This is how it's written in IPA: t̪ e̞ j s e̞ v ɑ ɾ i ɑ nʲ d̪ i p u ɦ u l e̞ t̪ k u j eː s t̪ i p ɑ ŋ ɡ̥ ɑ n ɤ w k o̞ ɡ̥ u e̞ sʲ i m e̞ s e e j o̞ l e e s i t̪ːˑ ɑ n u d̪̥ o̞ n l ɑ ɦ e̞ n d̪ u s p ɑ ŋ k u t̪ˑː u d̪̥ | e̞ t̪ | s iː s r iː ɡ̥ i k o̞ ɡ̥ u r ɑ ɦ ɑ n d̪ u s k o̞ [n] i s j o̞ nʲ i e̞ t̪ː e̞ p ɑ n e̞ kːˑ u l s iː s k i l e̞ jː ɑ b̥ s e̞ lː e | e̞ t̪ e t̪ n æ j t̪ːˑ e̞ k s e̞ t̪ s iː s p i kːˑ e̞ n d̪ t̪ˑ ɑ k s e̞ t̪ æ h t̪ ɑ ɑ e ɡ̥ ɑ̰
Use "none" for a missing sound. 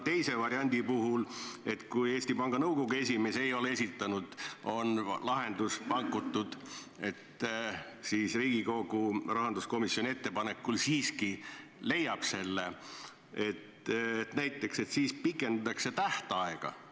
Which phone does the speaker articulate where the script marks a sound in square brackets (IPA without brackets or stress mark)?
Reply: m